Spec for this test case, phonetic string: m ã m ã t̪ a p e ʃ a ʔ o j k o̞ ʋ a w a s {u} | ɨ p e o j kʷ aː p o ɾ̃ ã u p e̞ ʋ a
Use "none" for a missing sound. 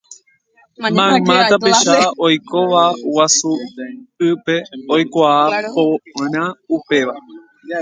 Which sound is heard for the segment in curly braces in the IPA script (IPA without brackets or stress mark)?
u